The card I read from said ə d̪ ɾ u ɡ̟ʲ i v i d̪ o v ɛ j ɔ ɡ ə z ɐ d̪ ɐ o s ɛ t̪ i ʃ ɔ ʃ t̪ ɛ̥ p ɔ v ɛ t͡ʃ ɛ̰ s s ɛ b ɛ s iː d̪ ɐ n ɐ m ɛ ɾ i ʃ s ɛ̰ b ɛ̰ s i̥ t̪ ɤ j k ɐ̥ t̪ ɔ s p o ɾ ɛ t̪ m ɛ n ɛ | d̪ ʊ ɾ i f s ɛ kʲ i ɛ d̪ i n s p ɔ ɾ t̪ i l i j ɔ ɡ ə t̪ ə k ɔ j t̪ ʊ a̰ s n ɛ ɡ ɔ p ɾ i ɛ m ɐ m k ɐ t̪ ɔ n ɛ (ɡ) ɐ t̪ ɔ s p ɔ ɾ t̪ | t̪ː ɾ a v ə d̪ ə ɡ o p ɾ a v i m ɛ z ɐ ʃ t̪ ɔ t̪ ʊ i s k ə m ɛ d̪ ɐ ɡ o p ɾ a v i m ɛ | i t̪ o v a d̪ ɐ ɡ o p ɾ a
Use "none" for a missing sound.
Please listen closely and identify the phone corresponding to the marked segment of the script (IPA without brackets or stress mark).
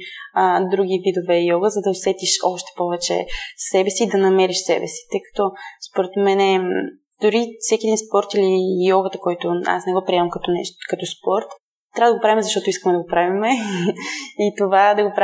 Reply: k